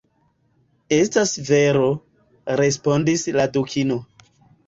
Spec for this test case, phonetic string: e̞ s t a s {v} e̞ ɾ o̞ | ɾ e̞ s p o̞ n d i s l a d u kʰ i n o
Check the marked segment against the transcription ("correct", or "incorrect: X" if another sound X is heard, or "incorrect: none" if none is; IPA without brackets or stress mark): correct